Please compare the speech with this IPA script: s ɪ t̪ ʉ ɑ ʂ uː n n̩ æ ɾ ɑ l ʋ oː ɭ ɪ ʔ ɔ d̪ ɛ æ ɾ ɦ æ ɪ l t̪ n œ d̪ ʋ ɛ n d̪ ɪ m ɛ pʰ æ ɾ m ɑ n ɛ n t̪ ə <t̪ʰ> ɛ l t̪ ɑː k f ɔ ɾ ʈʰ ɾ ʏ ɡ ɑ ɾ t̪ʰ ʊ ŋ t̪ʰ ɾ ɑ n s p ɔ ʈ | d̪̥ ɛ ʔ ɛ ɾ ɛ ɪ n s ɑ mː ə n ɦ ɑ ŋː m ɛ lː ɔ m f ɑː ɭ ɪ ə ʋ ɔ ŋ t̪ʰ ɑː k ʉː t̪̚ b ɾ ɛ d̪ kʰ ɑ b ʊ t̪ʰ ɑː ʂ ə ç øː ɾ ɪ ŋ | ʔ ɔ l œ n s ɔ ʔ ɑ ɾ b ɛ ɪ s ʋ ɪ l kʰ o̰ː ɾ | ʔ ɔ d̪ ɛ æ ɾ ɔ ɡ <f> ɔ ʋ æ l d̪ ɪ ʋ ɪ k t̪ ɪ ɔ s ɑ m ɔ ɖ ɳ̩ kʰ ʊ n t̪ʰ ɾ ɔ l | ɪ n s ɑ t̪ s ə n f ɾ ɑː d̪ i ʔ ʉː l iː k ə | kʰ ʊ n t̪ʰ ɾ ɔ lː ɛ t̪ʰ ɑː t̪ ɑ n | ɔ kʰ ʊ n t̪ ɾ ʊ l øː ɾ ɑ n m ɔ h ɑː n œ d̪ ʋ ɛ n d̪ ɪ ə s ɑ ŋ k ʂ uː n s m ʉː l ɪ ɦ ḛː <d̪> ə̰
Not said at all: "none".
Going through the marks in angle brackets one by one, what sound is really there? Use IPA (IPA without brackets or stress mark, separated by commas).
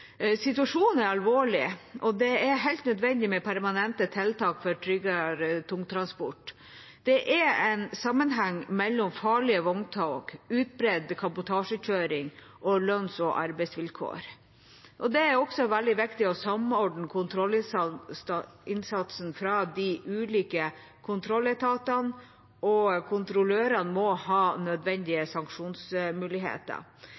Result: t̪ʰ, s, t̪